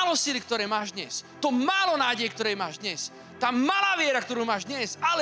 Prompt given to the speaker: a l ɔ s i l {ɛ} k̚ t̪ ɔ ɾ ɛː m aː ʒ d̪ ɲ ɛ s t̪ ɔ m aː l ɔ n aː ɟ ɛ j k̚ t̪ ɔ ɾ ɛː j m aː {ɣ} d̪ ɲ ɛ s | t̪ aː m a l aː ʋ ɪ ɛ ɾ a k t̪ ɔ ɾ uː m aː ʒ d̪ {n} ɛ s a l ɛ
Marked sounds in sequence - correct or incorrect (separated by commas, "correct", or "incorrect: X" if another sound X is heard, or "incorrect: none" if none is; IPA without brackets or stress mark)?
incorrect: i, incorrect: ʒ, incorrect: ɲ